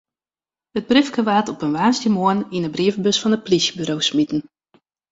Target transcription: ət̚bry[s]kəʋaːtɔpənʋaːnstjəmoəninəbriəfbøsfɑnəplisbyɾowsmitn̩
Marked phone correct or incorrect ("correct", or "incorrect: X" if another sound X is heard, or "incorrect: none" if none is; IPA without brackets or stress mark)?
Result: incorrect: f